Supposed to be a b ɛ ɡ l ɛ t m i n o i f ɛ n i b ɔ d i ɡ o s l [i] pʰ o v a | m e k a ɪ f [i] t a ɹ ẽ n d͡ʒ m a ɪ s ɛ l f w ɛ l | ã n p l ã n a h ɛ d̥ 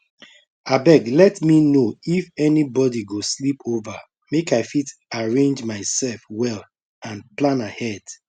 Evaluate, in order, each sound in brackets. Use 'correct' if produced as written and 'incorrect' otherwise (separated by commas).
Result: correct, correct